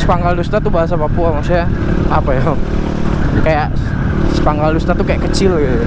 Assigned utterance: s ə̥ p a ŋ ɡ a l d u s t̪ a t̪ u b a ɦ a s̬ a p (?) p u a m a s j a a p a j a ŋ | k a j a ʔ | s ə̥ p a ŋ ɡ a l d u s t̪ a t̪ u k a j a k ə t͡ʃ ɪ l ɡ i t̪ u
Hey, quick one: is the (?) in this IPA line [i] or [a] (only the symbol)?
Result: a